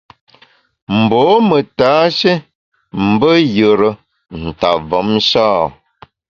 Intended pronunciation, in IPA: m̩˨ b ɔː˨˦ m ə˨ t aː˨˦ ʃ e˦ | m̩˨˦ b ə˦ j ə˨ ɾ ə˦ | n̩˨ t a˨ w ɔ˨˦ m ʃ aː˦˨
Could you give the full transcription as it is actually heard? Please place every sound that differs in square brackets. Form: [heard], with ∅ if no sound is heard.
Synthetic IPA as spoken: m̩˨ b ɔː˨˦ m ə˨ t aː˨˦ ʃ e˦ | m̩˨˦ b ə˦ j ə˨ ɾ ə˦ | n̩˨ t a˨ [v] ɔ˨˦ m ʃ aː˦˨